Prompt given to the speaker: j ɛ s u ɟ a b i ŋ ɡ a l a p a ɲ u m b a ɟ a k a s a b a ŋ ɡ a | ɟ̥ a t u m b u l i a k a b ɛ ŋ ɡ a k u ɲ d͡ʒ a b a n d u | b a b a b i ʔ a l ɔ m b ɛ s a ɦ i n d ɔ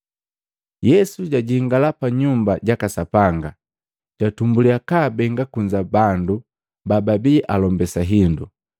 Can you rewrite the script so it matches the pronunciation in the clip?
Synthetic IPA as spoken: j ɛ s u ɟ a ɟ i ŋ ɡ a l a p a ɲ u m b a ɟ a k a s a p a ŋ ɡ a | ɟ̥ a t u m b u l i a k a b ɛ ŋ ɡ a k u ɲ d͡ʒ a b a n d u | b a b a b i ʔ a l ɔ m b ɛ s a ɦ i n d u